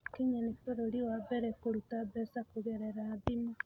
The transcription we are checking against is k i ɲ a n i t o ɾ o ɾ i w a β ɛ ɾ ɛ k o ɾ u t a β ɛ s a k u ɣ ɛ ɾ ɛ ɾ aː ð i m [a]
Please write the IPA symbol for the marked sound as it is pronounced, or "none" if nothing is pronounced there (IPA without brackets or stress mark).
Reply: a